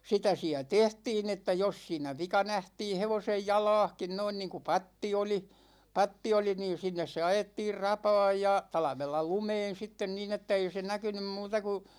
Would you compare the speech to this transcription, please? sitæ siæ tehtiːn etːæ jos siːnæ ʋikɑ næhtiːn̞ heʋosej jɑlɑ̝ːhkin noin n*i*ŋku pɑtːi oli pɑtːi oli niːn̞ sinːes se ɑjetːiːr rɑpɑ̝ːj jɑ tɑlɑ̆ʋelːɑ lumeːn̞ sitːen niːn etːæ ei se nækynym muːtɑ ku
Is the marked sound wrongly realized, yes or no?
yes